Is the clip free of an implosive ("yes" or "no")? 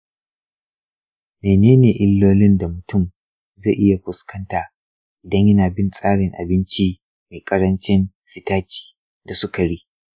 yes